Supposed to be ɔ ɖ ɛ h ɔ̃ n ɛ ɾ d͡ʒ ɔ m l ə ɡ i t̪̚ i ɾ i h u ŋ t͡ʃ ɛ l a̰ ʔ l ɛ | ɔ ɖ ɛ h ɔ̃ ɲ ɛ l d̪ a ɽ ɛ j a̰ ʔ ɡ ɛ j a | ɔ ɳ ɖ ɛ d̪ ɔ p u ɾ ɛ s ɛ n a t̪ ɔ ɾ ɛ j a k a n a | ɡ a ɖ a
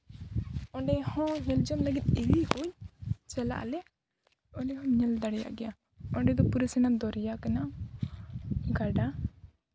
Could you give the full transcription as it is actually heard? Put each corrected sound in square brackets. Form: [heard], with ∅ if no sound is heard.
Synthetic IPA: ɔ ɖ ɛ h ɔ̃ [ɲ] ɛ [l] d͡ʒ ɔ m l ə ɡ i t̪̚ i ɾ i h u [ɲ] t͡ʃ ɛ l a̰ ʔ l ɛ | ɔ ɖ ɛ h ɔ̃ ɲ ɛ l d̪ a ɽ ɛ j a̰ ʔ ɡ ɛ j a | ɔ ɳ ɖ ɛ d̪ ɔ p u ɾ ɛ s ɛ n a [d̪] ɔ ɾ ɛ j a k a n a | ɡ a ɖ a